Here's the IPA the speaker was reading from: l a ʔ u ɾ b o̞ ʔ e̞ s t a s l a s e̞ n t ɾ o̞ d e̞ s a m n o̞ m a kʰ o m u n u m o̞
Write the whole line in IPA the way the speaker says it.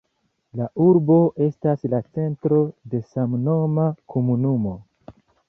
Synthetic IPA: l a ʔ u ɾ b o̞ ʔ e̞ s t a s l a t͡s e̞ n t ɾ o̞ d e̞ s a m n o̞ m a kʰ o m u n u m o̞